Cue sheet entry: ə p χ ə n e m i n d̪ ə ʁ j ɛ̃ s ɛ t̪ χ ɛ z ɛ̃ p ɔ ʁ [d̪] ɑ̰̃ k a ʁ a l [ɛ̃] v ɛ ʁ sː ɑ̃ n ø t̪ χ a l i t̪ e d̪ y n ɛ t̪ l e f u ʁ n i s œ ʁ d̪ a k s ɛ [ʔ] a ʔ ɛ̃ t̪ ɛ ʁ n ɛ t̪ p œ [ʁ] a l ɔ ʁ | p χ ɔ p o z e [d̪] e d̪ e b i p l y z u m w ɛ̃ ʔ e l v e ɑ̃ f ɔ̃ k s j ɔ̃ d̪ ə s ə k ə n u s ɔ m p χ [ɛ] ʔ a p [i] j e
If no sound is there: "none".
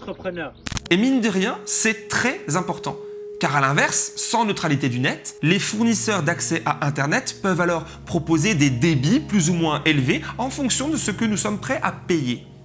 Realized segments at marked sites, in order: t̪, ɛ̃, ʔ, v, d̪, ɛ, e

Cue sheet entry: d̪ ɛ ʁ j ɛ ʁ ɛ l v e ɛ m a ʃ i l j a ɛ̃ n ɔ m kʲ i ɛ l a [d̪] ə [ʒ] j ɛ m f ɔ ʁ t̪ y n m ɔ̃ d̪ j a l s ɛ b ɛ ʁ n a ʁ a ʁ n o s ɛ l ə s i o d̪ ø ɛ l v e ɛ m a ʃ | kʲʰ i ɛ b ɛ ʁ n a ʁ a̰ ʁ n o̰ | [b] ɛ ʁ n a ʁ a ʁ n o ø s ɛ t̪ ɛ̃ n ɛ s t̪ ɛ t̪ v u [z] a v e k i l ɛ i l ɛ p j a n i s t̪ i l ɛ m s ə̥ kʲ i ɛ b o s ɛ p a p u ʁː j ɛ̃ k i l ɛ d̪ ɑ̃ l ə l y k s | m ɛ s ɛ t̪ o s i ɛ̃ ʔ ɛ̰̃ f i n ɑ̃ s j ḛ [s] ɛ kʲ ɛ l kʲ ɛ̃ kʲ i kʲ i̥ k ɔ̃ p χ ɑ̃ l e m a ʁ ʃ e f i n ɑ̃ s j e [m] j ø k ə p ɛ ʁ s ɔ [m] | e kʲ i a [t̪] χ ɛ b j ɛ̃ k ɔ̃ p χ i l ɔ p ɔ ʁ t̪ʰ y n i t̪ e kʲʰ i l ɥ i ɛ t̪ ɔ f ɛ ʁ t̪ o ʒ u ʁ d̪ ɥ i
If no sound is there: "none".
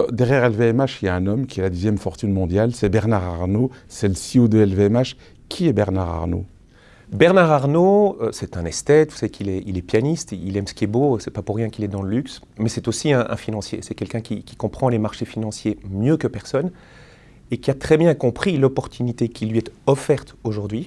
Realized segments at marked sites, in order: d̪, z, b, s, s, m, n, t̪

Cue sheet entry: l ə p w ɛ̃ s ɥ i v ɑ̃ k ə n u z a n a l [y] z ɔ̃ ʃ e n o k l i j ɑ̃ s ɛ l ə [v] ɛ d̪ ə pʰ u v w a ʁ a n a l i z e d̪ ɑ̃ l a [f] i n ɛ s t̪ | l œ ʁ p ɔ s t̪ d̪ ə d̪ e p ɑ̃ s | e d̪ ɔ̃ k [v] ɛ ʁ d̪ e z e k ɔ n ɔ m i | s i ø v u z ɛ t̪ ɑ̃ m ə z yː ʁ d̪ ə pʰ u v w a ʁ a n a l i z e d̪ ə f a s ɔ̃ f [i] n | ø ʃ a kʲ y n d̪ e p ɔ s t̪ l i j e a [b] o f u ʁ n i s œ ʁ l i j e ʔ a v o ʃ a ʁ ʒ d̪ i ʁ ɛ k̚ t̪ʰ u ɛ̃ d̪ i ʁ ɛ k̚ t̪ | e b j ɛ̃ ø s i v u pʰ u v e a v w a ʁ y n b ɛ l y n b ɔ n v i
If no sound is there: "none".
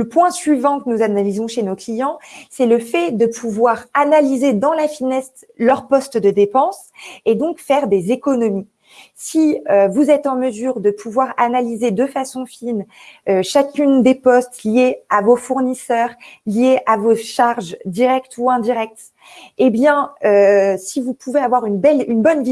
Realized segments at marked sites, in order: i, f, f, f, i, v

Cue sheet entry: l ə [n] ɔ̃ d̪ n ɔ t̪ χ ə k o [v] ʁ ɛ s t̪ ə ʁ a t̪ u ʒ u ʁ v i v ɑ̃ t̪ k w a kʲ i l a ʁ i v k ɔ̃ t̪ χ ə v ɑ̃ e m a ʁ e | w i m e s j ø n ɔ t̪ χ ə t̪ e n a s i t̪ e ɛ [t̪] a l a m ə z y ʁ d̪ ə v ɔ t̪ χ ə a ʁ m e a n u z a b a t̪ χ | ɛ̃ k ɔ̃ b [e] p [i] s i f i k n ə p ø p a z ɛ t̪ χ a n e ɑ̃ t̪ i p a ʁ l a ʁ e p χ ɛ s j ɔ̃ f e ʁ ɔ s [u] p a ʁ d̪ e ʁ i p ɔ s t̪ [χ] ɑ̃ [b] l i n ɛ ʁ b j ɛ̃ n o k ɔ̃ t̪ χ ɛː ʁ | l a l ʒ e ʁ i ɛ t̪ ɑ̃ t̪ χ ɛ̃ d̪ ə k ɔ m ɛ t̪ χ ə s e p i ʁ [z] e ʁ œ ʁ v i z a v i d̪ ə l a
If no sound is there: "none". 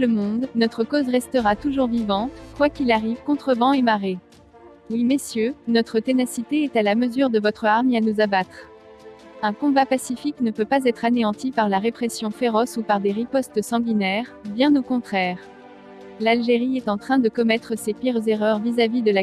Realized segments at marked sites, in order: m, z, t̪, a, a, u, s, ɡ, z

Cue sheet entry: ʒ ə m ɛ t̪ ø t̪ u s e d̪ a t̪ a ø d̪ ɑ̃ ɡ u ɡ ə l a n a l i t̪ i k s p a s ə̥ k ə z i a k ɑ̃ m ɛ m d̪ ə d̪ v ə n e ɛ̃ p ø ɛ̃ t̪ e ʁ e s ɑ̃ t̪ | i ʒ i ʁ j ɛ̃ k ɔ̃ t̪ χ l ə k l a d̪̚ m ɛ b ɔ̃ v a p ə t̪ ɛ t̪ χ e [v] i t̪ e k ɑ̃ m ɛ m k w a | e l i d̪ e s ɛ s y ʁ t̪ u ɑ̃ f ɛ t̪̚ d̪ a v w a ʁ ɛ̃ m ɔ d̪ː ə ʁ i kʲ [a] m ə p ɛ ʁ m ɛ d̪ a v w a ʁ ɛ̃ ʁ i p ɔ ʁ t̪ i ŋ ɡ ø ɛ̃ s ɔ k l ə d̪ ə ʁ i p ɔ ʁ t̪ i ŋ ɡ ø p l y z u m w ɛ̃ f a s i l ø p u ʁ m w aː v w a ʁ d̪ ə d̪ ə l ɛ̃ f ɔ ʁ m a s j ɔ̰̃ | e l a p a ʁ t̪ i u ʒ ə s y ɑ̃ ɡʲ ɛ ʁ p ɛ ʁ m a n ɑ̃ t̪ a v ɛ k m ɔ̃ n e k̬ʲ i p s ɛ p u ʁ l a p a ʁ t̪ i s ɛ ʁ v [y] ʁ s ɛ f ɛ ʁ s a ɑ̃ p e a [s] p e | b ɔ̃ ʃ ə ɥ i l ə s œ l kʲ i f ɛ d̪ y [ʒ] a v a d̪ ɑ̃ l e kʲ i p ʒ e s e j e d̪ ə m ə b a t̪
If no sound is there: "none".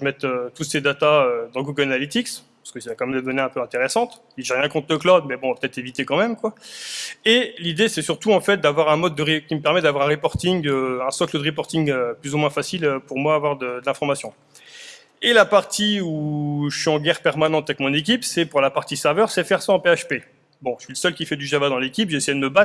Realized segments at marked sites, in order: v, i, œ, ʃ, ʒ

